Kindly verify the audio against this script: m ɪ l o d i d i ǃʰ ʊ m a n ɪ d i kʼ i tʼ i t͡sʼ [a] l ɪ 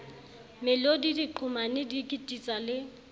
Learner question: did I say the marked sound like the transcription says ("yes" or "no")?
yes